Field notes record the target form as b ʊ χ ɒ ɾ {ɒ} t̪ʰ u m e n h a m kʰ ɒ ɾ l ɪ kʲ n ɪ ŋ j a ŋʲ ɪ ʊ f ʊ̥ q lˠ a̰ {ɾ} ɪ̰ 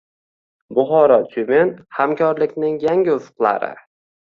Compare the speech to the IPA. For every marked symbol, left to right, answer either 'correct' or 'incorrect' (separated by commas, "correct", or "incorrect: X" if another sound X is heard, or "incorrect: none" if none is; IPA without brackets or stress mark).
correct, correct